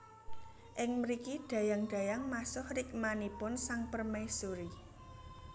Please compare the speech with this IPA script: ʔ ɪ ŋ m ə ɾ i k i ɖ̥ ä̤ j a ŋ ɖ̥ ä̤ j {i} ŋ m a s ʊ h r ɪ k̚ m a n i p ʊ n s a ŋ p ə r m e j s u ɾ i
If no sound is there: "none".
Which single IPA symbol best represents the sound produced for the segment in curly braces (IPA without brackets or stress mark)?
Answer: a